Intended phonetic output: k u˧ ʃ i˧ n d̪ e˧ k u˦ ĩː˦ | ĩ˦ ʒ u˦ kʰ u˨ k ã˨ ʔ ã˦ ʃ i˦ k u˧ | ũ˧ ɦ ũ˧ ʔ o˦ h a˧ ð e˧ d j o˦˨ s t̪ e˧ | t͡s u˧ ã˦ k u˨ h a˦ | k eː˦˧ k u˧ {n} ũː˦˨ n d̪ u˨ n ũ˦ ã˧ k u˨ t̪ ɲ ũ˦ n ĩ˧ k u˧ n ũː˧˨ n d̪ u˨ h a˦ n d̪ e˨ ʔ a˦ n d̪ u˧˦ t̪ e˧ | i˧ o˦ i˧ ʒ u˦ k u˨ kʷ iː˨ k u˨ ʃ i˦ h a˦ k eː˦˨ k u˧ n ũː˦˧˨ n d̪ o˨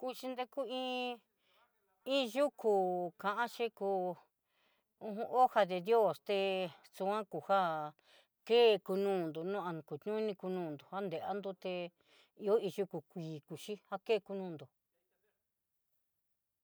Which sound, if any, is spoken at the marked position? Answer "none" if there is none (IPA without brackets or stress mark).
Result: n